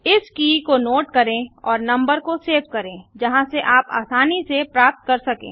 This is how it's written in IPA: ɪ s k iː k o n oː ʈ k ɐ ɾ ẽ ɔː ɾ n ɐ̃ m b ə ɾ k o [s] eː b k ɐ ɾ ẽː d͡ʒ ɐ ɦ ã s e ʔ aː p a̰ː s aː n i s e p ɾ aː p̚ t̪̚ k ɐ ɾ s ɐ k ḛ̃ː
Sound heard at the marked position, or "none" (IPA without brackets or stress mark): s